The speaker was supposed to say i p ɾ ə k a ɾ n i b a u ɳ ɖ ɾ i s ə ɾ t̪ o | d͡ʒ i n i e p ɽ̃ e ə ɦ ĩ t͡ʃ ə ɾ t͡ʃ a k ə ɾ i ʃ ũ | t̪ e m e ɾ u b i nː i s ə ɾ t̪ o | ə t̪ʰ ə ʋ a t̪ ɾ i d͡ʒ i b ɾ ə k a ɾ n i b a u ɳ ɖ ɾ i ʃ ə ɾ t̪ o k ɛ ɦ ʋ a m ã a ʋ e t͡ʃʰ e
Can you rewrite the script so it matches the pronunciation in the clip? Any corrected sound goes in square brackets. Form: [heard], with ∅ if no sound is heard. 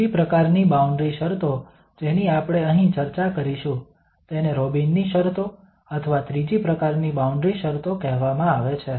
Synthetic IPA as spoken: i p ɾ ə k a ɾ n i b a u ɳ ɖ ɾ i [ʃ] ə ɾ t̪ o | d͡ʒ [e] n i [a] p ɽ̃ e ə ɦ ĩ t͡ʃ ə ɾ t͡ʃ a k ə ɾ i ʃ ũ | t̪ e [n] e ɾ [o] b i nː i [ʃ] ə ɾ t̪ o | ə t̪ʰ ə ʋ a t̪ ɾ i d͡ʒ i [p] ɾ ə k a ɾ n i b a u ɳ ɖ ɾ i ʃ ə ɾ t̪ o k ɛ ɦ ʋ a m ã a ʋ e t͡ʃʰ e